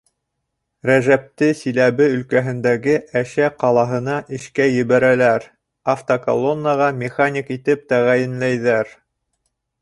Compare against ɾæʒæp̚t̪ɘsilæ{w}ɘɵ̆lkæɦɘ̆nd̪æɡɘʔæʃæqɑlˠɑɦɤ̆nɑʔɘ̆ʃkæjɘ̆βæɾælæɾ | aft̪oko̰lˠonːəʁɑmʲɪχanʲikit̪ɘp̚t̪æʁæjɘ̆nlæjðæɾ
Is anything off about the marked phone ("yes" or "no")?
yes